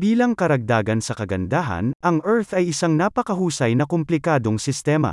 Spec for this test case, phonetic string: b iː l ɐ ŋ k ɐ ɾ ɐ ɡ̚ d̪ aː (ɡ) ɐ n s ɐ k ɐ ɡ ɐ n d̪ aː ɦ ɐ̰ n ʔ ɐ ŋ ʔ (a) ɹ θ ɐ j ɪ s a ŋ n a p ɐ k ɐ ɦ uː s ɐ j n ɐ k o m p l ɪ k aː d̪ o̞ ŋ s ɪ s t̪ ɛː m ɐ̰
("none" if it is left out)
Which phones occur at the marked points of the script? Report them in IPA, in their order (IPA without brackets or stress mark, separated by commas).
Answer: ɡ, ɛ